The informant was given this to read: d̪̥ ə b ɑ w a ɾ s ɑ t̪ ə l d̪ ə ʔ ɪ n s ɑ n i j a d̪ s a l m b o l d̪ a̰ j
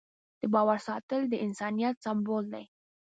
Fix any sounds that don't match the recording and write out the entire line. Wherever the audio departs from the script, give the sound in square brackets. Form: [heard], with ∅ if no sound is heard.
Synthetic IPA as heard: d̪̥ ə b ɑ w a ɾ s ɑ t̪ ə l d̪ ə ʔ ɪ n s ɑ n i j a [t̪] s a [∅] m b o l d̪ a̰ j